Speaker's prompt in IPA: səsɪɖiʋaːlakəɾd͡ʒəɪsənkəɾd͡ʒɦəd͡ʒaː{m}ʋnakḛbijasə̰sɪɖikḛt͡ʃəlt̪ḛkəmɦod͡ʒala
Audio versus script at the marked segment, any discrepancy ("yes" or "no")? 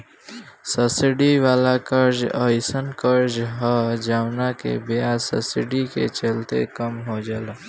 yes